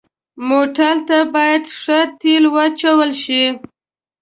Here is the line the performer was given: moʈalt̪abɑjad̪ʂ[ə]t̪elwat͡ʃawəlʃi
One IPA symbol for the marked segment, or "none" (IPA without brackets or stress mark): ə